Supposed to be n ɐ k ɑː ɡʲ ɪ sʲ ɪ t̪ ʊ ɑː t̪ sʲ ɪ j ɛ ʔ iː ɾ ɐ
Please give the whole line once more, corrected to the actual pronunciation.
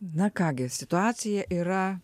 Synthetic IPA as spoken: n ɐ k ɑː ɡʲ ɪ sʲ ɪ t̪ ʊ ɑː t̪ sʲ ɪ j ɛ ʔ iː ɾ ɐ